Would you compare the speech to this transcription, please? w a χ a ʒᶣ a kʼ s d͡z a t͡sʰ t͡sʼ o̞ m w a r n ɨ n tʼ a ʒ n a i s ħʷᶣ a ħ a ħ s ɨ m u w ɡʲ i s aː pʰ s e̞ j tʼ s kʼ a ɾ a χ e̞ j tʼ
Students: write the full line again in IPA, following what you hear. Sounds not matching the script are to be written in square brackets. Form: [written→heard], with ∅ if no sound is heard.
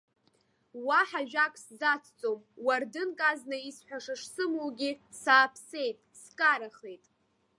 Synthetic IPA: w a [χ→ħ] a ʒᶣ a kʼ s d͡z a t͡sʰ t͡sʼ o̞ m w a r [n→d] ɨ n [tʼ→kʼ] a [ʒ→z] n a i s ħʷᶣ a [ħ→ʂ] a [ħ→ʂ] s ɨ m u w ɡʲ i s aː pʰ s e̞ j tʼ s kʼ a ɾ a χ e̞ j tʼ